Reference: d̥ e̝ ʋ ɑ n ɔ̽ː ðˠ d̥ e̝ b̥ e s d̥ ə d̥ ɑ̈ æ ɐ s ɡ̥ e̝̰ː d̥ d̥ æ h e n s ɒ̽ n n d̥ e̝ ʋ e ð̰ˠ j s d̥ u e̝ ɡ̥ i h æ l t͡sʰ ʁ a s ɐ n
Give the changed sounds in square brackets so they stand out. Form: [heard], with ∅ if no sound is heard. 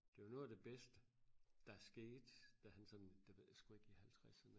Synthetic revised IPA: d̥ e̝ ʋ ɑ n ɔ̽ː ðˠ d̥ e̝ b̥ e s d̥ ə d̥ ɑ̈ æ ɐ s ɡ̥ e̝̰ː d̥ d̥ æ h [æ] n s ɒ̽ n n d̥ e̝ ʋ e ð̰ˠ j s [ɡ̥] u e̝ ɡ̥ i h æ l t͡sʰ ʁ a s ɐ n